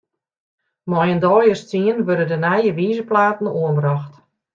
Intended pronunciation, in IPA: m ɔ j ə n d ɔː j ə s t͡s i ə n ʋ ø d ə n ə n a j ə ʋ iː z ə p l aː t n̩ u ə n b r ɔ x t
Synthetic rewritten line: m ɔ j ə n d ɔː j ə s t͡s i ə n ʋ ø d ə d ə n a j ə ʋ iː z ə p l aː t n̩ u ə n b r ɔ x t